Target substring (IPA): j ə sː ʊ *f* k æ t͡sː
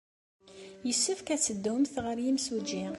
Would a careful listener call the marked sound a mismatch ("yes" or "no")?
no